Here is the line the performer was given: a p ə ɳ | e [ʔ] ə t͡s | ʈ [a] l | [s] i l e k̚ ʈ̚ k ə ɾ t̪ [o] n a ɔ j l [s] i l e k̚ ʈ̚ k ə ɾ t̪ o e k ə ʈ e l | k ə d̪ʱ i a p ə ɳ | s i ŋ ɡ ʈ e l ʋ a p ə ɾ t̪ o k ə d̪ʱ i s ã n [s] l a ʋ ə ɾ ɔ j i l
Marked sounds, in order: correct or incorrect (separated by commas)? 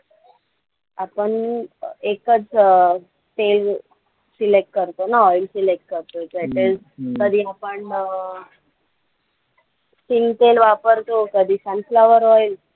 incorrect, incorrect, correct, correct, correct, incorrect